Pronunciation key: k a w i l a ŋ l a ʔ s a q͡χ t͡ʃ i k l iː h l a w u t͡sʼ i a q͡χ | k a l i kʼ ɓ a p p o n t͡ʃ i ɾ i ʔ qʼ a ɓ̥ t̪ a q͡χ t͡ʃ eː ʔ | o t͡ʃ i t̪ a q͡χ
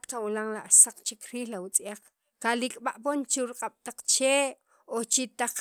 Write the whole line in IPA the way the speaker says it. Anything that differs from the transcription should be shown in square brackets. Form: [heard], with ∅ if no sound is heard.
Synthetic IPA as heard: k a w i l a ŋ l a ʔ s a q͡χ t͡ʃ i k [ɾ] iː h l a w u t͡sʼ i a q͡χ | k a l i kʼ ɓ a [ʔ] p o n t͡ʃ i ɾ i [∅] qʼ a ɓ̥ t̪ a q͡χ t͡ʃ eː ʔ | o t͡ʃ i t̪ a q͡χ

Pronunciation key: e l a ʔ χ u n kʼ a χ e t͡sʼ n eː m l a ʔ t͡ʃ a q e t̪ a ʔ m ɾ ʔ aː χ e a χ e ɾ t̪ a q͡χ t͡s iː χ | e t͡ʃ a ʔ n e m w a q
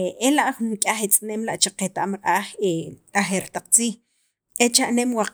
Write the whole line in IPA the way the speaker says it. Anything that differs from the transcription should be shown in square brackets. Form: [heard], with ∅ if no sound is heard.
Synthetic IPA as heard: e l a ʔ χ u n kʼ a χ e t͡sʼ n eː m l a ʔ t͡ʃ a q e t̪ a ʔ m ɾ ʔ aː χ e a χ e ɾ t̪ a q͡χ t͡s iː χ | e t͡ʃ a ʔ n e m w a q

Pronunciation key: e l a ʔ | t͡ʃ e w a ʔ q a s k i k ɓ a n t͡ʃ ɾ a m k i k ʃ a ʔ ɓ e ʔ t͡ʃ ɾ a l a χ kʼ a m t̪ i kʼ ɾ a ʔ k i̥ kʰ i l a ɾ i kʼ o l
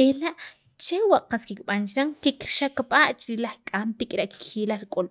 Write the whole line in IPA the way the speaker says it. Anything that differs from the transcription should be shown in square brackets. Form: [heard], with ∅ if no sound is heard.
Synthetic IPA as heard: e l a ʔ | t͡ʃ e w a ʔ q a s k i k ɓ a n t͡ʃ ɾ a [ŋ] k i k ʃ a [k] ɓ [a] ʔ t͡ʃ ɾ [i] l a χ kʼ a m t̪ i kʼ ɾ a ʔ k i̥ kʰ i l a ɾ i kʼ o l

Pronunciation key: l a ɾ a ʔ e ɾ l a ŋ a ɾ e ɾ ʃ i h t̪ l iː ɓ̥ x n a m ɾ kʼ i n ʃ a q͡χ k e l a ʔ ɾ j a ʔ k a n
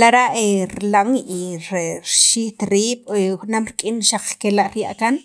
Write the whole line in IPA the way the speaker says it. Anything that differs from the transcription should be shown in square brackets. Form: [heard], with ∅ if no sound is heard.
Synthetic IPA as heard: l a ɾ a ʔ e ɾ l a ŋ [i] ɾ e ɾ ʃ i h t̪ [ɾ] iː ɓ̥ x n a m ɾ kʼ i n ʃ a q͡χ k e l a ʔ ɾ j a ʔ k a n

